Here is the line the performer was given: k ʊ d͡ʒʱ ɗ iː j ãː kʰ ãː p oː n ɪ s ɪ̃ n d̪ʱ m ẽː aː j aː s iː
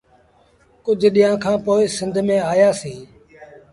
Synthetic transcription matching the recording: k ʊ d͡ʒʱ ɗ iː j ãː kʰ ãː p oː ɪ s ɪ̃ n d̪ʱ m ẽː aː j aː s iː